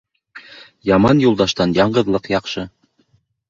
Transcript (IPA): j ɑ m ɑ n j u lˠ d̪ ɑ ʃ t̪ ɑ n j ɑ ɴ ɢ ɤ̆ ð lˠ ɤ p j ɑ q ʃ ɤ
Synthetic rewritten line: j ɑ m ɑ n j u lˠ d̪ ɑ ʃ t̪ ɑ n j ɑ ɴ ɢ ɤ̆ ð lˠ ɤ q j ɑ q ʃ ɤ